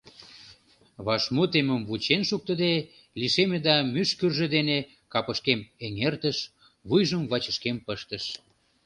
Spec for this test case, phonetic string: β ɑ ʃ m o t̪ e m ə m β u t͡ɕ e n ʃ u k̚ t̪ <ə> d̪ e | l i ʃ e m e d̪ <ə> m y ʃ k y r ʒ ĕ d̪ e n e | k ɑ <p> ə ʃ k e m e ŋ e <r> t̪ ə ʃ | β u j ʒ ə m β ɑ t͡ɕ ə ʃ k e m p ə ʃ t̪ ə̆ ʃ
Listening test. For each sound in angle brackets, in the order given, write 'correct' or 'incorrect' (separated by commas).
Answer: correct, incorrect, correct, correct